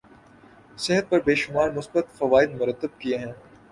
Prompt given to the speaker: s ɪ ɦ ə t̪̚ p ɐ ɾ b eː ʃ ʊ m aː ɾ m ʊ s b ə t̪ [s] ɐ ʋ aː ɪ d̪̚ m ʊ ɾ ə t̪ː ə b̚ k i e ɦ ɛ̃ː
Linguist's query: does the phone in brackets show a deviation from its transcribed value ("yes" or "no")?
yes